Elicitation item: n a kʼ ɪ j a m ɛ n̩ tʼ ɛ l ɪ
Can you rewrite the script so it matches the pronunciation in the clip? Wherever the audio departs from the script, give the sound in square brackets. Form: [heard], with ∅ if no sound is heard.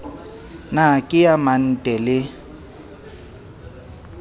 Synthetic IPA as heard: n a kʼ ɪ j a m [a] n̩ tʼ ɛ l ɪ